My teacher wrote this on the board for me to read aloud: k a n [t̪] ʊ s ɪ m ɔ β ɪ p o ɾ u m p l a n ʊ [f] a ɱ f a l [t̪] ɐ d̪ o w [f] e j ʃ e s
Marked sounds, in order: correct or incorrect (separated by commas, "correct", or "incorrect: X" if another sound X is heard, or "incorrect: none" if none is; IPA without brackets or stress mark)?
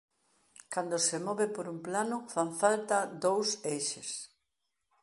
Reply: incorrect: d̪, correct, correct, incorrect: s